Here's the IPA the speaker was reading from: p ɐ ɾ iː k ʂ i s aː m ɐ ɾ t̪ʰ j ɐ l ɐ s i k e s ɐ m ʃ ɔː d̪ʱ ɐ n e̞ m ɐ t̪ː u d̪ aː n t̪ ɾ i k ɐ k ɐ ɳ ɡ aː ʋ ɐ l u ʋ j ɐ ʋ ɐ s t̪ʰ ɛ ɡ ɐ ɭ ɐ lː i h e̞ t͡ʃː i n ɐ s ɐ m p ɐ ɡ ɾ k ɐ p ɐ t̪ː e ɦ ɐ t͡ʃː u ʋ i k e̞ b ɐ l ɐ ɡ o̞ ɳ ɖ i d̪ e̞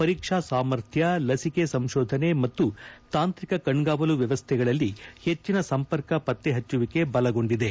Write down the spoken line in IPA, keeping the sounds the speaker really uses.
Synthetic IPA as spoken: p ɐ ɾ iː k ʂ a s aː m ɐ ɾ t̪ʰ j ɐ l ɐ s i k e s ɐ m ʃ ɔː d̪ʱ ɐ n e̞ m ɐ t̪ː u t̪ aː n t̪ ɾ i k ɐ k ɐ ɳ ɡ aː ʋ ɐ l u ʋ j ɐ ʋ ɐ s t̪ʰ ɛ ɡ ɐ ɭ ɐ lː i h e̞ t͡ʃː i n ɐ s ɐ m p ɐ ɾ k ɐ p ɐ t̪ː e ɦ ɐ t͡ʃː u ʋ i k e̞ b ɐ l ɐ ɡ o̞ ɳ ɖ i d̪ e̞